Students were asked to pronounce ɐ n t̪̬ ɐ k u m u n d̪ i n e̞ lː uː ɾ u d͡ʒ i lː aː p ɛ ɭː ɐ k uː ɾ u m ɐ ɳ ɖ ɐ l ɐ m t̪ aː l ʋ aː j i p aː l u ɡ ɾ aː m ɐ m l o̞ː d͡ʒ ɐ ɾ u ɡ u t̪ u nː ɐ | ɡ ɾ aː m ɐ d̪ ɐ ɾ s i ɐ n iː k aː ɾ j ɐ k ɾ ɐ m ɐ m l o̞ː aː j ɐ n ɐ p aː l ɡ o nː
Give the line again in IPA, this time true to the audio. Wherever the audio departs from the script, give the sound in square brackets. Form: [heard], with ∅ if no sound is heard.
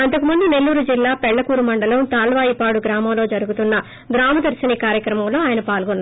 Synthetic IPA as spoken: ɐ n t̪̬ ɐ k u m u n d̪ i n e̞ lː uː ɾ u d͡ʒ i lː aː p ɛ ɭː ɐ k uː ɾ u m ɐ ɳ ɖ ɐ l ɐ m t̪ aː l ʋ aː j i p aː [ɽ] u ɡ ɾ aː m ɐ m l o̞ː d͡ʒ ɐ ɾ u ɡ u t̪ u nː ɐ | ɡ ɾ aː m ɐ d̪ ɐ ɾ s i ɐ n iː k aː ɾ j ɐ k ɾ ɐ m ɐ m l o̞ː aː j ɐ n ɐ p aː l ɡ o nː